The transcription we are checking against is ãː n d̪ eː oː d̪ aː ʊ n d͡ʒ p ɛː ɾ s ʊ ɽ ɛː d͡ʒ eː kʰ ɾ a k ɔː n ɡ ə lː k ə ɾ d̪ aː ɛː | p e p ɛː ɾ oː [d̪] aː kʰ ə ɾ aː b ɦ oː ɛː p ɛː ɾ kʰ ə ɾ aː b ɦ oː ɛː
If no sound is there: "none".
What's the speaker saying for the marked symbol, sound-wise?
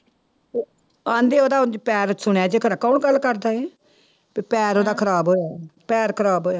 d̪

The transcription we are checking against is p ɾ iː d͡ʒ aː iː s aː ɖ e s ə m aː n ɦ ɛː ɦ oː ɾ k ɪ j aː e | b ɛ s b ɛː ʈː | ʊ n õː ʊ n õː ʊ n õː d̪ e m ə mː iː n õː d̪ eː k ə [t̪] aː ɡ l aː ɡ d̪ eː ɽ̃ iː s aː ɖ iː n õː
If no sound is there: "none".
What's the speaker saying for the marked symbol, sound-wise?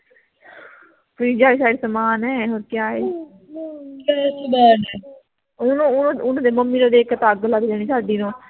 t̪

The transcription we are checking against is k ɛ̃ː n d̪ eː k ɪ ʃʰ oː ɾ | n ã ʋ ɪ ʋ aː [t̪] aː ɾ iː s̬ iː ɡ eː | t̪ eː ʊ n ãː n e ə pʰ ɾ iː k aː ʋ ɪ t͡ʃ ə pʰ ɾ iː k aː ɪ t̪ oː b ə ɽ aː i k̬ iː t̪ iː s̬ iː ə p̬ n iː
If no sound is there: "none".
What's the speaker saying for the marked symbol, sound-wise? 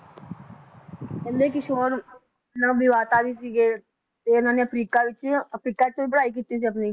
t̪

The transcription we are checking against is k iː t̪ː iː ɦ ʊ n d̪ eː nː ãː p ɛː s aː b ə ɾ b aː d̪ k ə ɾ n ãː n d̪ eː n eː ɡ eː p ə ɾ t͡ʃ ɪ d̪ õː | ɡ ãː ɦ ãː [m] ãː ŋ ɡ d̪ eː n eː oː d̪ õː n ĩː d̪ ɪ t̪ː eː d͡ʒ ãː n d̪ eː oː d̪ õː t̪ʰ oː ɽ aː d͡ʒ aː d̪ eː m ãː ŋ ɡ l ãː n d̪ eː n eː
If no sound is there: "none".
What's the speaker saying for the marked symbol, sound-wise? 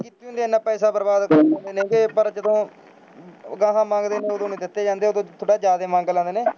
m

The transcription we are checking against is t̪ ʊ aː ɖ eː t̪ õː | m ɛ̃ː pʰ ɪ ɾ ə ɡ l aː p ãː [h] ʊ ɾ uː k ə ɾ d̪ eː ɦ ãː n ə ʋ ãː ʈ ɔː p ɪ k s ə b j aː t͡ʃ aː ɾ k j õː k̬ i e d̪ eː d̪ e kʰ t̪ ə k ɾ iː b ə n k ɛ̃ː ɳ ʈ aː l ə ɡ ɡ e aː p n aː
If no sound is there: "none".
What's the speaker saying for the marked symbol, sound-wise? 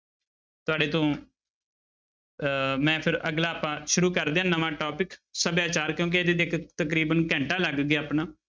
ʃ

